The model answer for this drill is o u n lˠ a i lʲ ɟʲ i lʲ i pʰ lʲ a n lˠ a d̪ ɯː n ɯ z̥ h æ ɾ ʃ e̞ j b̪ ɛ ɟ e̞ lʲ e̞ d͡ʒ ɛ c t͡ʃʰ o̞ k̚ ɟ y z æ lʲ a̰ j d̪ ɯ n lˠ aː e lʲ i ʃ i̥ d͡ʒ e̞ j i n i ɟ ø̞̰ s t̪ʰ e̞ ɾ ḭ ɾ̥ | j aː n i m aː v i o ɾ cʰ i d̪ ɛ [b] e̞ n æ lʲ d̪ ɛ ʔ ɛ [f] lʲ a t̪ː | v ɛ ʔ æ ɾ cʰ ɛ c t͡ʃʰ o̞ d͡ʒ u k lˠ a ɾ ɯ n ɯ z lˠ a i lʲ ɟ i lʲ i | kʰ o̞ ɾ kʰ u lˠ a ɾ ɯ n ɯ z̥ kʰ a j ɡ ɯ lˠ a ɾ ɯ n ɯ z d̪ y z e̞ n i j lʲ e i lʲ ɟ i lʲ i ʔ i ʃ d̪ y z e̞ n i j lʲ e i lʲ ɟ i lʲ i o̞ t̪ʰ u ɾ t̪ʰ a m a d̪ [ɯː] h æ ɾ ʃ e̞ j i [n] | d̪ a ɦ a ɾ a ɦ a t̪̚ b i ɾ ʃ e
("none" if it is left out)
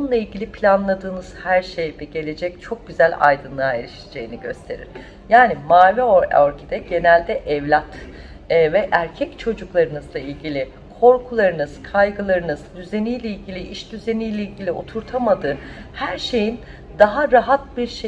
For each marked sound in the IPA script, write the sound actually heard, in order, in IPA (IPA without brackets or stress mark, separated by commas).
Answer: ɟ, v, ɯː, n